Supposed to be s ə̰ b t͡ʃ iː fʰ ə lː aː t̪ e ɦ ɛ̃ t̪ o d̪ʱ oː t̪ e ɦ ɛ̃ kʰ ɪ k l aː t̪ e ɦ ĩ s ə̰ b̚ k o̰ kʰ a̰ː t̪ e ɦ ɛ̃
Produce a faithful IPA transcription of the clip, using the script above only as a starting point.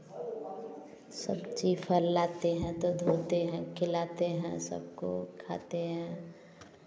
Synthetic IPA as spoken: s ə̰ b t͡ʃ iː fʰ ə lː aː t̪ e ɦ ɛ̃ t̪ o d̪ʱ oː t̪ e ɦ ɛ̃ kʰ ɪ l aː t̪ e ɦ ɛ̃ s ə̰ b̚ k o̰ kʰ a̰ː t̪ e ɦ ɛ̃

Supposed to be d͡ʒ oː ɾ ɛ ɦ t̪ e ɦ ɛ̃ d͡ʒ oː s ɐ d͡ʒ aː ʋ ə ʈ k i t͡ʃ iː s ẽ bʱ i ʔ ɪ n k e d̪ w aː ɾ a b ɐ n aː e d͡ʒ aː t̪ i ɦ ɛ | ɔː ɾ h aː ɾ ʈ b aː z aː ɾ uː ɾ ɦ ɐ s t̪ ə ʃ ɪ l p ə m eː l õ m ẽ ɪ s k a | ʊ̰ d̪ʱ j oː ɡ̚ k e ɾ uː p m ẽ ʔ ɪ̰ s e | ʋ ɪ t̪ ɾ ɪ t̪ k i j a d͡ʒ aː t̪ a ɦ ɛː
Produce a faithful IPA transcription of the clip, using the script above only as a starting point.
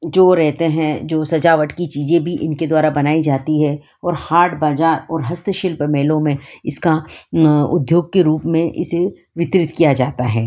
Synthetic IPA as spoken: d͡ʒ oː ɾ ɛ ɦ t̪ e ɦ ɛ̃ d͡ʒ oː s ɐ d͡ʒ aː ʋ ə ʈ k i t͡ʃ iː z ẽ bʱ i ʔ ɪ n k e d̪ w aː ɾ a b ɐ n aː i d͡ʒ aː t̪ i ɦ ɛ | ɔː ɾ h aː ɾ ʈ b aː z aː ɾ ɔː ɾ ɦ ɐ s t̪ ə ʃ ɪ l p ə m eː l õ m ẽ ɪ s k a | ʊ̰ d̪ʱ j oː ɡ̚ k e ɾ uː p m ẽ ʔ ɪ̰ s e | ʋ ɪ t̪ ɾ ɪ t̪ k i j a d͡ʒ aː t̪ a ɦ ɛː

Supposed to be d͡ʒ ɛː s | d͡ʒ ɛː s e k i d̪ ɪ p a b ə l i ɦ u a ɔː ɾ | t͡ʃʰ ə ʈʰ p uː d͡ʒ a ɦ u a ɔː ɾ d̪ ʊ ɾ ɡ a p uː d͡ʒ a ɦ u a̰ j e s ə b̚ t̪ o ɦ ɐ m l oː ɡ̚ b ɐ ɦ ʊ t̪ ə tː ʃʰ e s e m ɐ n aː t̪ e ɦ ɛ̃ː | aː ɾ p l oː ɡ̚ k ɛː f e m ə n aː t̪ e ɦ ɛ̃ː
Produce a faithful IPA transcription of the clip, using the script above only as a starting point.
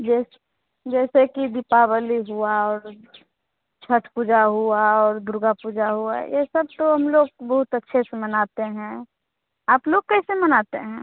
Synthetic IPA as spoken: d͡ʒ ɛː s | d͡ʒ ɛː s e k i d̪ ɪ p a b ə l i ɦ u a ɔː ɾ | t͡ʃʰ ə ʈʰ p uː d͡ʒ a ɦ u a ɔː ɾ d̪ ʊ ɾ ɡ a p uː d͡ʒ a ɦ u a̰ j e s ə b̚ t̪ o ɦ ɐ m l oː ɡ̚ b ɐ ɦ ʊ t̪ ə tː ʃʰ e s e m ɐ n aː t̪ e ɦ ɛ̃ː | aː p l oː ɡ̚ k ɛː s e m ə n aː t̪ e ɦ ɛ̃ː

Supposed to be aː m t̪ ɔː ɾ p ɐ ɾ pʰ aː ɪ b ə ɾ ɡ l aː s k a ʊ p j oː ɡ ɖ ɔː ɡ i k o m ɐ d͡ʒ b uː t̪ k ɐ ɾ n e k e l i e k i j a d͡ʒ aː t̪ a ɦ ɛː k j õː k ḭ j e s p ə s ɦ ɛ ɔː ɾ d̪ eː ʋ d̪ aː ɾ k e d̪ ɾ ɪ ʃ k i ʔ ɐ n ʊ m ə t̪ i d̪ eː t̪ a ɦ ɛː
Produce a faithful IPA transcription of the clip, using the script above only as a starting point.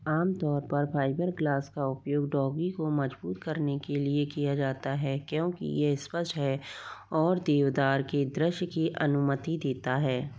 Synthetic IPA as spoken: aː m t̪ ɔː ɾ p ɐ ɾ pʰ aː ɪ b ə ɾ ɡ l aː s k a ʊ p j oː ɡ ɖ ɔː ɡ i k o m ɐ d͡ʒ b uː t̪ k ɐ ɾ n e k e l i e k i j a d͡ʒ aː t̪ a ɦ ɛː k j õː k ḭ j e s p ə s ɦ ɛ ɔː ɾ d̪ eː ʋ d̪ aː ɾ k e d̪ ɾ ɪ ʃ k i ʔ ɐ n ʊ m ə t̪ i d̪ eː t̪ a ɦ ɛː

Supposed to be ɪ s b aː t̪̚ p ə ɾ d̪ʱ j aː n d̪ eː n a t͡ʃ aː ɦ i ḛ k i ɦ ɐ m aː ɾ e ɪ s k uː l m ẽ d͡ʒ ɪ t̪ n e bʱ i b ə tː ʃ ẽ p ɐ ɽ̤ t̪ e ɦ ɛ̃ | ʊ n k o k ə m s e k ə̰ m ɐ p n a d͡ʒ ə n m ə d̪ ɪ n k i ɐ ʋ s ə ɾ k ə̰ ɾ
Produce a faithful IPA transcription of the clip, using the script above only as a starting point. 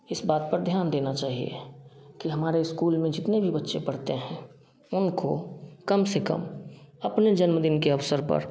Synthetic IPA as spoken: ɪ s b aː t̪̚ p ə ɾ d̪ʱ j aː n d̪ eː n a t͡ʃ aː ɦ i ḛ k i ɦ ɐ m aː ɾ e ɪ s k uː l m ẽ d͡ʒ ɪ t̪ n e bʱ i b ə tː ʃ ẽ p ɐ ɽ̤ t̪ e ɦ ɛ̃ | ʊ n k o k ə m s e k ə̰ m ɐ p n e d͡ʒ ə n m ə d̪ ɪ n k e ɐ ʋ s ə ɾ p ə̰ ɾ

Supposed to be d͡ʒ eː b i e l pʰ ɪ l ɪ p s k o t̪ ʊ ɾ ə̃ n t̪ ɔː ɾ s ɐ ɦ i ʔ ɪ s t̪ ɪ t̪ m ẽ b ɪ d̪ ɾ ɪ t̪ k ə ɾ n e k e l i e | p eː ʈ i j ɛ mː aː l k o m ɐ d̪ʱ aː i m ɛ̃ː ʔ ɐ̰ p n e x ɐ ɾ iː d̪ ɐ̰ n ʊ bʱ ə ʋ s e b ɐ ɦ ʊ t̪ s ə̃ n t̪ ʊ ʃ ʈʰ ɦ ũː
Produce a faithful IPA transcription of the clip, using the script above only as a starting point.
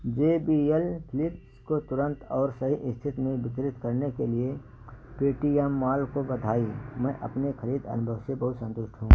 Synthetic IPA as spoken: d͡ʒ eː b i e l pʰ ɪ l ɪ p s k o t̪ ʊ ɾ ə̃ n t̪ ɔː ɾ s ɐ ɦ i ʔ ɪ s t̪ʰ ɪ t̪ m ẽ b ɪ t̪ ɾ ɪ t̪ k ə ɾ n e k e l i e | p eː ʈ i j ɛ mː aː l k o b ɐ d̪ʱ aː i m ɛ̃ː ʔ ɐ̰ p n e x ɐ ɾ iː d̪ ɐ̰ n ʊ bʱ ə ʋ s e b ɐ ɦ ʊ t̪ s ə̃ n t̪ ʊ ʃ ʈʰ ɦ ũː

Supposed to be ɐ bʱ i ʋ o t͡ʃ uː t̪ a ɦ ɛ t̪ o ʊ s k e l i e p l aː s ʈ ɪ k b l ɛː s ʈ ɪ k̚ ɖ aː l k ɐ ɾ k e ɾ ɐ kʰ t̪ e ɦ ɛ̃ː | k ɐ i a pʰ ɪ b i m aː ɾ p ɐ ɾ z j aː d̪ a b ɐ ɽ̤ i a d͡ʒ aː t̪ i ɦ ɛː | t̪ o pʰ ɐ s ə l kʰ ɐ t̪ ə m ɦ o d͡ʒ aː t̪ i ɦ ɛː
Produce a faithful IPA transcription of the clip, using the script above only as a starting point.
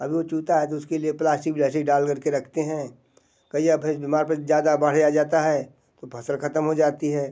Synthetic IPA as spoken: ɐ bʱ i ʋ o t͡ʃ uː t̪ a ɦ ɛ t̪ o ʊ s k e l i e p l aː s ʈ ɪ k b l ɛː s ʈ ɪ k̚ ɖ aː l k ɐ ɾ k e ɾ ɐ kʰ t̪ e ɦ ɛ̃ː | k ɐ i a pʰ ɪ b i m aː ɾ p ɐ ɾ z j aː d̪ a b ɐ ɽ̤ j a d͡ʒ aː t̪ a ɦ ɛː | t̪ o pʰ ɐ s ə l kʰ ɐ t̪ ə m ɦ o d͡ʒ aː t̪ i ɦ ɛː

